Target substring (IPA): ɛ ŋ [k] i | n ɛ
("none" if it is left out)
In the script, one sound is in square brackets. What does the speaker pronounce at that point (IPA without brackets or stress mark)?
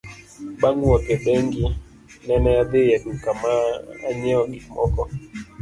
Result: ɡ